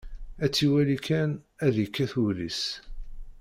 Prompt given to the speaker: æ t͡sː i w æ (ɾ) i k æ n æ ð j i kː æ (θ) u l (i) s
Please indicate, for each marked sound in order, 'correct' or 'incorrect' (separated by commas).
incorrect, correct, correct